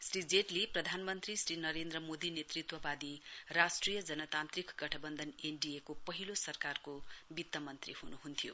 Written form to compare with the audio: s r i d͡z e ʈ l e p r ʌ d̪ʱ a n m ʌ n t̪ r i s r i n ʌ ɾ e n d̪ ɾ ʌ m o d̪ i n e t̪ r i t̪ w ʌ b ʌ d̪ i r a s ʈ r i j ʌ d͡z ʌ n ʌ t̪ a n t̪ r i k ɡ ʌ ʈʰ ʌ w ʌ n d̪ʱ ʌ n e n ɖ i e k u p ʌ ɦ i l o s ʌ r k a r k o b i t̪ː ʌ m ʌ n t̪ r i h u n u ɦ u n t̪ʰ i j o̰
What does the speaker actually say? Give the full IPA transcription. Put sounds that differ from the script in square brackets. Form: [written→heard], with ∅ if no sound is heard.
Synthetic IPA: s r i d͡z e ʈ l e p r ʌ d̪ʱ a n m ʌ n t̪ r i s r i n ʌ ɾ e n d̪ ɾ ʌ m o d̪ i n e t̪ r i t̪ w ʌ b [ʌ→a] d̪ i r a s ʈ r i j ʌ d͡z ʌ n ʌ t̪ a n t̪ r i k ɡ ʌ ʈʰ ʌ [w→b] ʌ n d̪ʱ ʌ n e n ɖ i e k [u→o] p ʌ ɦ i l o s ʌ r k a r k o b i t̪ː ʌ m ʌ n t̪ r i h u n u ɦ u n t̪ʰ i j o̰